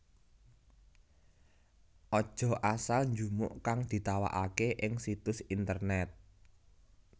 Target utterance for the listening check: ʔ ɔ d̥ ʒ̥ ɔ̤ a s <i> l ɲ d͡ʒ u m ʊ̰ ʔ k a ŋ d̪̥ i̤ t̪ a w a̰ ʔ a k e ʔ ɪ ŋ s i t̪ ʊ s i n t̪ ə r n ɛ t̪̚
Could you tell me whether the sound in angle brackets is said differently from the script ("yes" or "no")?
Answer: yes